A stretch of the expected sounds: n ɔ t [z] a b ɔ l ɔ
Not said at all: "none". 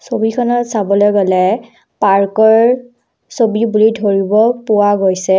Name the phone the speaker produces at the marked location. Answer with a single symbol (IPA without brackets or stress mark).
s